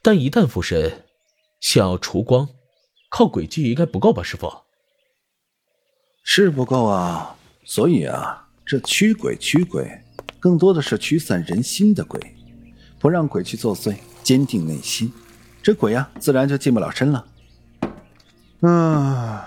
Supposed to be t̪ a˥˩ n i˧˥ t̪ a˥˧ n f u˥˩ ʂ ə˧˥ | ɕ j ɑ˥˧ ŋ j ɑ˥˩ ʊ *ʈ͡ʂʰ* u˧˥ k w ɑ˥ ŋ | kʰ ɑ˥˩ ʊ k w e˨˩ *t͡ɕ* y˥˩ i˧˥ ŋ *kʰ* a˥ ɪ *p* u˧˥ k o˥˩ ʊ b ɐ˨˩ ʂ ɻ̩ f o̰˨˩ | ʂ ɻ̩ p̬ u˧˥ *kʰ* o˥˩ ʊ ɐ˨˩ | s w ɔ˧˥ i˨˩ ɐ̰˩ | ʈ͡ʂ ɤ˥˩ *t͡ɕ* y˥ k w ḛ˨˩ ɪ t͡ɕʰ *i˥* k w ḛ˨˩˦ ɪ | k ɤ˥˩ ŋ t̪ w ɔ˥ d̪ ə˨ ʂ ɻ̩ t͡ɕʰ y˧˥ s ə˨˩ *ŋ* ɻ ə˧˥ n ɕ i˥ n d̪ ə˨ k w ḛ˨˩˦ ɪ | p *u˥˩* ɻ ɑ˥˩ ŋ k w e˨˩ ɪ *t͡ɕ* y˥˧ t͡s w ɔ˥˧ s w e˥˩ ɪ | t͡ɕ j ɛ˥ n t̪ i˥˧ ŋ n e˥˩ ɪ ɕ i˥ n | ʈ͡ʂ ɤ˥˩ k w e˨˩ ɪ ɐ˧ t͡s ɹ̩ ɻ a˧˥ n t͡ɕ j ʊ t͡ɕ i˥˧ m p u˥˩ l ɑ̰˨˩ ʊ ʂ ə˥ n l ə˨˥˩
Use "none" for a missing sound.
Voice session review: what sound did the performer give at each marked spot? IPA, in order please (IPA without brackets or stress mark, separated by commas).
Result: ʈ͡ʂʰ, t͡ɕ, k, p, k, t͡ɕʰ, y˥, n, u˧˥, t͡ɕʰ